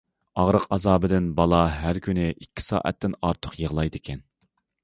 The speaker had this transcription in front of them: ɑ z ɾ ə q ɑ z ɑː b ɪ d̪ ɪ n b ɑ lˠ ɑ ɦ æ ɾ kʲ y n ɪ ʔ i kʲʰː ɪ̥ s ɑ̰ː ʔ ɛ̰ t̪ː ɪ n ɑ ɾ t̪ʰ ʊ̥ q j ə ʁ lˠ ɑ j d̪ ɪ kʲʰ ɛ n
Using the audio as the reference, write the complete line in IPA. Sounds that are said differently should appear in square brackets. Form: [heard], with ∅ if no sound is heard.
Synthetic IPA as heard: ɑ [ʁ] ɾ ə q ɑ z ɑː b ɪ d̪ ɪ n b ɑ lˠ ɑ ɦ æ ɾ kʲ y n ɪ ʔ i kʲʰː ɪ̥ s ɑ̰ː ʔ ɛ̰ t̪ː ɪ n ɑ ɾ t̪ʰ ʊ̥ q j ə ʁ lˠ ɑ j d̪ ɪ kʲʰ ɛ n

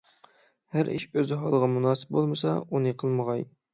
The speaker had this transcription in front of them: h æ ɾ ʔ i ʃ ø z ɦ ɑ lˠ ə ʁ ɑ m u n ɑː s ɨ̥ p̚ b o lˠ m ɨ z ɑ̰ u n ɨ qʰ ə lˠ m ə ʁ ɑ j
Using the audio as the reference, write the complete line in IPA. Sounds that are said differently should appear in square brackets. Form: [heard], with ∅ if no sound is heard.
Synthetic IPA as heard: h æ ɾ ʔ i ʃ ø z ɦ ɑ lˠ ə ʁ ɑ m u n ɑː s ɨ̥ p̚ b o lˠ m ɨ [s] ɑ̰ u n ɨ qʰ ə lˠ m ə ʁ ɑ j

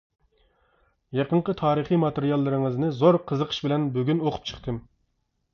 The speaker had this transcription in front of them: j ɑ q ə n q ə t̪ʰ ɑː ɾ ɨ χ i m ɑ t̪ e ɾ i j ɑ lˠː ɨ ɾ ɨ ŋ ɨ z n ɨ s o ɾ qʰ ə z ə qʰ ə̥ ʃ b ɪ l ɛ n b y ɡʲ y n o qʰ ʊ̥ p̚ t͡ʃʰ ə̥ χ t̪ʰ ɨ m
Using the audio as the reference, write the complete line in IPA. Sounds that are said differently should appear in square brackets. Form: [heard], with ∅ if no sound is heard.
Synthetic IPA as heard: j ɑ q ə [ɴ] q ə t̪ʰ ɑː ɾ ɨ χ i m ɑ t̪ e ɾ i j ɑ lˠː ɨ ɾ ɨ ŋ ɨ z n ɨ [z] o ɾ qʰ ə z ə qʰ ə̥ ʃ b ɪ l ɛ n b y ɡʲ y n o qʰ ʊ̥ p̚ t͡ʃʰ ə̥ χ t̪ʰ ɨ m

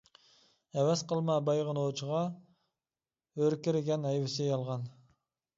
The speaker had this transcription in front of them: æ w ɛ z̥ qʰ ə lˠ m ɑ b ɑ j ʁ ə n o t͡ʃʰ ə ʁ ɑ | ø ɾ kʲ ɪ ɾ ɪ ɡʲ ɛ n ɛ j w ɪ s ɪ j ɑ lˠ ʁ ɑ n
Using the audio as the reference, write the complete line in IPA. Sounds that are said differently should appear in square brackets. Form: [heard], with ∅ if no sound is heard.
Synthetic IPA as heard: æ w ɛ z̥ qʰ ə lˠ m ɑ b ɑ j ʁ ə n o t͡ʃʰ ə ʁ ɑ | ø ɾ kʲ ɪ ɾ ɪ ɡʲ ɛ n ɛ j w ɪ s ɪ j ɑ lˠ ʁ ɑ n

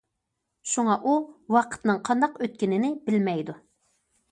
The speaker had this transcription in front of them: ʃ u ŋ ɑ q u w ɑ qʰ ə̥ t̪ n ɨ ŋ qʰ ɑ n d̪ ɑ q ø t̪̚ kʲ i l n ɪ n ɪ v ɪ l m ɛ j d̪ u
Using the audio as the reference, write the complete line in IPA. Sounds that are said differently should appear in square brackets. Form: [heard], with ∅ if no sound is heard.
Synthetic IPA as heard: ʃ u ŋ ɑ [ʔ] u w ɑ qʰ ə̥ t̪ n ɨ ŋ qʰ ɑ n d̪ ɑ q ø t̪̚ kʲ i [∅] n ɪ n ɪ [b] ɪ l m ɛ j d̪ u

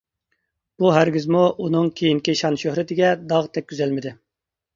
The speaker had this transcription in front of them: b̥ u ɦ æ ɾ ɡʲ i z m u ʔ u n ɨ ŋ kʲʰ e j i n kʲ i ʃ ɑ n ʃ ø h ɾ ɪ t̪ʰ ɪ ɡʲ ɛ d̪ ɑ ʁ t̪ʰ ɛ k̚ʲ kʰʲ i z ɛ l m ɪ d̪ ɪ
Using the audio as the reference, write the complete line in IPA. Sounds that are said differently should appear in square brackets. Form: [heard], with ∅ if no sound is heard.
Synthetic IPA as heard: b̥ u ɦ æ ɾ ɡʲ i z m u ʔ u n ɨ ŋ kʲʰ e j i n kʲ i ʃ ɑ n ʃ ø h ɾ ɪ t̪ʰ ɪ ɡʲ ɛ d̪ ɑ ʁ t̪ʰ ɛ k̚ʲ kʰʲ [y] z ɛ l m ɪ d̪ ɪ

